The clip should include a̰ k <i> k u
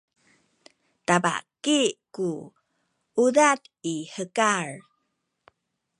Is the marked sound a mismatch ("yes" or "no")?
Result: no